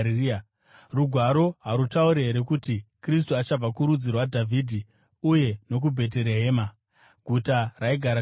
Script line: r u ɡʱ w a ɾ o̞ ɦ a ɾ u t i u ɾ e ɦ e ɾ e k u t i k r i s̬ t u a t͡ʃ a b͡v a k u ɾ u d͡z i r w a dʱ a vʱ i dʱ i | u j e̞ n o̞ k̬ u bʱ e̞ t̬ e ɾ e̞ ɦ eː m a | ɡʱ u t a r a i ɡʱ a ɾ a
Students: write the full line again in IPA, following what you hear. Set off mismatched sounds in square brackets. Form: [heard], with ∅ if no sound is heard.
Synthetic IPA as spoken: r u ɡʱ w a ɾ o̞ ɦ a ɾ u t [a] u ɾ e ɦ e ɾ e k u t i k r i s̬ t u a t͡ʃ a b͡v a k u ɾ u d͡z i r w a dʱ a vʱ i dʱ i | u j e̞ n o̞ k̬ u bʱ e̞ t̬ e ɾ e̞ ɦ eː m a | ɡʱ u t a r a i ɡʱ a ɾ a

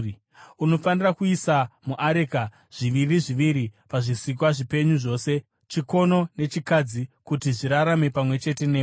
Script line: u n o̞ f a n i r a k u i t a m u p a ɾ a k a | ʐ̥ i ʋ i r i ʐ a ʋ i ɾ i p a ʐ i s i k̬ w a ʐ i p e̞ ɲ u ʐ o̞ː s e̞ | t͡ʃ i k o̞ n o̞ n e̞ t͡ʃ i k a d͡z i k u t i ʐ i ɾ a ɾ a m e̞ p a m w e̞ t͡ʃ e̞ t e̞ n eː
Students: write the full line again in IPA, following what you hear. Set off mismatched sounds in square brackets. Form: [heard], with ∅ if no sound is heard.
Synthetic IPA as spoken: u n o̞ f a n i r a k u i [s] a m u [ʔ] a ɾ [e] k a | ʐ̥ i ʋ i r i ʐ [i] ʋ i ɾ i p a ʐ i s i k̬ w a ʐ i p e̞ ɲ u ʐ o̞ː s e̞ | t͡ʃ i k o̞ n o̞ n e̞ t͡ʃ i k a d͡z i k u t i ʐ i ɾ a ɾ a m e̞ p a m w e̞ t͡ʃ e̞ t e̞ n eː

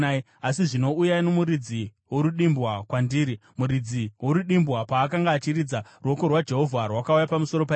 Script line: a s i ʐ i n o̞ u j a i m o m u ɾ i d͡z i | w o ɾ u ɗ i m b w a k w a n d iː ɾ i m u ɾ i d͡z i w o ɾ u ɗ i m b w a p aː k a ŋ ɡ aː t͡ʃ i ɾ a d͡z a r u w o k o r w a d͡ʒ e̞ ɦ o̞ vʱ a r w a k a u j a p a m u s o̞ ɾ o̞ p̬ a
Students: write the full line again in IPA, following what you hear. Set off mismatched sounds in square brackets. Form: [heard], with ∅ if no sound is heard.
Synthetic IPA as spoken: a s i ʐ i n o̞ u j a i [n] o m u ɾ i d͡z i | w o ɾ u ɗ i m b w a k w a n d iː ɾ i m u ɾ i d͡z i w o ɾ u ɗ i m b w a p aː k a ŋ ɡ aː t͡ʃ i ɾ [i] d͡z a r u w o k o r w a d͡ʒ e̞ ɦ o̞ vʱ a r w a k a u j a p a m u s o̞ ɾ o̞ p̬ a

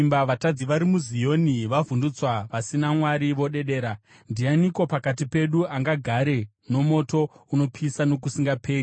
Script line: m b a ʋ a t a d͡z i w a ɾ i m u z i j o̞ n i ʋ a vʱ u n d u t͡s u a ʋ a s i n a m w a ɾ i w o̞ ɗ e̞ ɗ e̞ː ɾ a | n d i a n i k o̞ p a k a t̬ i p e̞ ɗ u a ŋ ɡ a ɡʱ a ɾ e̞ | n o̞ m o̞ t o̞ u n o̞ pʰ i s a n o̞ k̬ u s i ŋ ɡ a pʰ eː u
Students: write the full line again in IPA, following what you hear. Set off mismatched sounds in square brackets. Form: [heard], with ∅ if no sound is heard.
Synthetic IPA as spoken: m b a ʋ a t a d͡z i [ʋ] a ɾ i m u z i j o̞ n i ʋ a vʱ u n d u t͡s [w] a ʋ a s i n a m w a ɾ i [ʋ] o̞ ɗ e̞ ɗ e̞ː ɾ a | n d i a n i k o̞ p a k a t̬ i p e̞ ɗ u a ŋ ɡ a ɡʱ a ɾ e̞ | n o̞ m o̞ t o̞ u n o̞ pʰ i s a n o̞ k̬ u s i ŋ ɡ a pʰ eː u

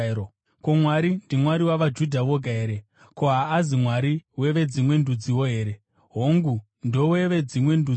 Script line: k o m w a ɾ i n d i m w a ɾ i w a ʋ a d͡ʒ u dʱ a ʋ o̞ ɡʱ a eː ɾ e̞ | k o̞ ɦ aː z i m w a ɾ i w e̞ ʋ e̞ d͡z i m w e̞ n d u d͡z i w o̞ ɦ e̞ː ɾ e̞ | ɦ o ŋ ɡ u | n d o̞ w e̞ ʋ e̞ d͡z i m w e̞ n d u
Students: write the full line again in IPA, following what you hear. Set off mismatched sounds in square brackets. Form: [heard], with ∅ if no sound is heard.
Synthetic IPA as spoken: k o m w a ɾ i n d i m w a ɾ i w a ʋ a d͡ʒ u dʱ a ʋ o̞ ɡʱ a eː ɾ e̞ | k o̞ ɦ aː z i m w a ɾ i w e̞ ʋ e̞ d͡z i m w e̞ n d u d͡z i w o̞ ɦ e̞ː ɾ e̞ | ɦ o ŋ ɡ u | n d o̞ w e̞ ʋ e̞ d͡z i m w e̞ n d u

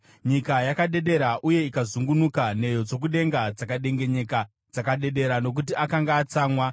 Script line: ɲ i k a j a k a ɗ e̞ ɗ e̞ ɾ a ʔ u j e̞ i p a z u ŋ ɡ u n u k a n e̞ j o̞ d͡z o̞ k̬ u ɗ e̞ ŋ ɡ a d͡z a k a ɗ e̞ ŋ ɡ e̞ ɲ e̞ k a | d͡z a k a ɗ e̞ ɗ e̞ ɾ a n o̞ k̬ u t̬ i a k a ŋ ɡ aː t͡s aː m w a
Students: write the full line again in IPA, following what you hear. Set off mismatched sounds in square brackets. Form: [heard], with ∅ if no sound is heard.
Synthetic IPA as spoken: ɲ i k a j a k a ɗ e̞ ɗ e̞ ɾ a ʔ u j e̞ i [k] a z u ŋ ɡ u n u k a n e̞ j o̞ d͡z o̞ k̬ u ɗ e̞ ŋ ɡ a d͡z a k a ɗ e̞ ŋ ɡ e̞ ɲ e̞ k a | d͡z a k a ɗ e̞ ɗ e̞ ɾ a n o̞ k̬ u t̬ i a k a ŋ ɡ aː t͡s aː m w a

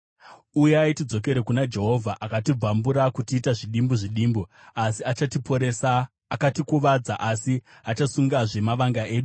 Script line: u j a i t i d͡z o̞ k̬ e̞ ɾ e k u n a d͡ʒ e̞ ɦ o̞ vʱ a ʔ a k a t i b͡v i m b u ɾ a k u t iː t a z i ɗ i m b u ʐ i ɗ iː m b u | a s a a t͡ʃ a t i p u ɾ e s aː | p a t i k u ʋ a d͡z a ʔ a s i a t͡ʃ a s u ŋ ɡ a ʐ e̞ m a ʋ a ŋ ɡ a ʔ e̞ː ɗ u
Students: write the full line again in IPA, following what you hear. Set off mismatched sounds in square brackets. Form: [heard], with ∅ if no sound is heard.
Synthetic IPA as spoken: u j a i t i d͡z o̞ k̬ e̞ ɾ e k u n a d͡ʒ e̞ ɦ o̞ vʱ a ʔ a k a t i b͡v [a] m b u ɾ a k u t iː t a [ʐ] i ɗ i m b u ʐ i ɗ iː m b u | a s [i] a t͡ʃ a t i p [o] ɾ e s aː | [k] a t i k u ʋ a d͡z a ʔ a s i a t͡ʃ a s u ŋ ɡ a ʐ e̞ m a ʋ a ŋ ɡ a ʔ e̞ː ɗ u

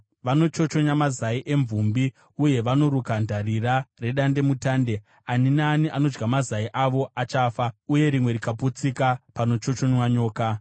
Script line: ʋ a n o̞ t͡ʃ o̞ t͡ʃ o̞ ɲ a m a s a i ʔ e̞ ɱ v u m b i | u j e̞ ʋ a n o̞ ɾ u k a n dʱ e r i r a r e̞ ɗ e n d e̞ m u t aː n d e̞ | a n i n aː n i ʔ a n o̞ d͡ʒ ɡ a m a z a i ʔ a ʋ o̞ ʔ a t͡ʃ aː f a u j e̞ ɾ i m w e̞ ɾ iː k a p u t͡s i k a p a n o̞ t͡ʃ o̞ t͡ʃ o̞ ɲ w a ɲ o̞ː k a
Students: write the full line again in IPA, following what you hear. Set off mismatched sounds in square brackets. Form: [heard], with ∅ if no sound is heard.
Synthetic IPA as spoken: ʋ a n o̞ t͡ʃ o̞ t͡ʃ o̞ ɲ a m a [z] a i ʔ e̞ ɱ v u m b i | u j e̞ ʋ a n o̞ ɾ u k a n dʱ [a] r i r a r e̞ ɗ [a] n d e̞ m u t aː n d e̞ | a n i n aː n i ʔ a n o̞ d͡ʒ ɡ a m a z a i ʔ a ʋ o̞ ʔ a t͡ʃ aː f a u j e̞ ɾ i m w e̞ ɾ [i] k a p u t͡s i k a p a n o̞ t͡ʃ o̞ t͡ʃ o̞ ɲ w a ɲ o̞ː k a

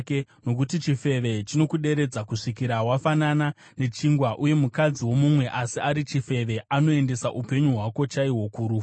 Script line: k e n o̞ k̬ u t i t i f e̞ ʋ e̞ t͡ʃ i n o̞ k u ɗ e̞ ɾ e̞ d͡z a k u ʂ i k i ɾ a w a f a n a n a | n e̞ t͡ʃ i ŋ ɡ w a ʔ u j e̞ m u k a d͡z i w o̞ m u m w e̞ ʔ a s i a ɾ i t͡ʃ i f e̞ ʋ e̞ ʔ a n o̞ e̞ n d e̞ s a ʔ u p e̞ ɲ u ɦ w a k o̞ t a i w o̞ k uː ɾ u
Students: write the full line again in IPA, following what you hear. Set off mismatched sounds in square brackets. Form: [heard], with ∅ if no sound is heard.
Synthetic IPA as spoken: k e n o̞ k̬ u t i [t͡ʃ] i f e̞ ʋ e̞ t͡ʃ i n o̞ k u ɗ e̞ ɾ e̞ d͡z a k u ʂ i k i ɾ a w a f a n a n a | n e̞ t͡ʃ i ŋ ɡ w a ʔ u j e̞ m u k a d͡z i w o̞ m u m w e̞ ʔ a s i a ɾ i t͡ʃ i f e̞ ʋ e̞ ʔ a n o̞ e̞ n d e̞ s a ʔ u p e̞ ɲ u ɦ w a k o̞ [t͡ʃ] a i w o̞ k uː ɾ u

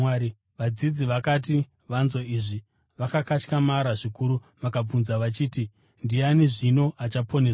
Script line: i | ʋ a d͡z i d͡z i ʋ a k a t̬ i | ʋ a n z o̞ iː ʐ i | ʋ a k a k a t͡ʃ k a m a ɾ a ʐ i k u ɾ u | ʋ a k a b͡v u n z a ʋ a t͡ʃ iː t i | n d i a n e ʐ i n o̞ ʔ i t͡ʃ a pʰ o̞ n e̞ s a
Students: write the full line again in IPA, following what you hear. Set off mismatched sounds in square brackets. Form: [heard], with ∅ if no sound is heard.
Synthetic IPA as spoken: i | ʋ a d͡z i d͡z i ʋ a k a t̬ i | ʋ a n z o̞ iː ʐ i | ʋ a k a k a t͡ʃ k a m a ɾ a ʐ i k u ɾ u | ʋ a k a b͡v u n z a ʋ a t͡ʃ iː t i | n d i a n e ʐ i n o̞ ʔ [a] t͡ʃ a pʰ o̞ n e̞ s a

